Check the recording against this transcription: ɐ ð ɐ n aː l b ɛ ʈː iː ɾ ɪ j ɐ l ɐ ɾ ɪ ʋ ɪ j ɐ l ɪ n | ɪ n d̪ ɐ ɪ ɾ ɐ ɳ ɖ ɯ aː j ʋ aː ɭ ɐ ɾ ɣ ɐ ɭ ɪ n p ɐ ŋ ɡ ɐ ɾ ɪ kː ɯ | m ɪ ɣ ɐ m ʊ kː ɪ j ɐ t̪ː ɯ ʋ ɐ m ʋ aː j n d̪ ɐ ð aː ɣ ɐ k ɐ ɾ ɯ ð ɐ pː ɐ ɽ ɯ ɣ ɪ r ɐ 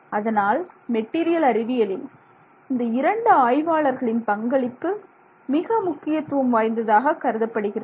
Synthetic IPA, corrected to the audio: ɐ ð ɐ n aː l m ɛ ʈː iː ɾ ɪ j ɐ l ɐ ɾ ɪ ʋ ɪ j ɐ l ɪ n | ɪ n d̪ ɐ ɪ ɾ ɐ ɳ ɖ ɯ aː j ʋ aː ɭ ɐ ɾ ɣ ɐ ɭ ɪ n p ɐ ŋ ɡ ɐ ɭ ɪ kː ɯ | m ɪ ɣ ɐ m ʊ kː ɪ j ɐ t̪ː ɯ ʋ ɐ m ʋ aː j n d̪ ɐ ð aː ɣ ɐ k ɐ ɾ ɯ ð ɐ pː ɐ ɽ ɯ ɣ ɪ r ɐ